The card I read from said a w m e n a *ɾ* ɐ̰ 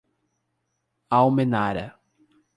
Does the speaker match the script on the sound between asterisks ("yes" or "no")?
yes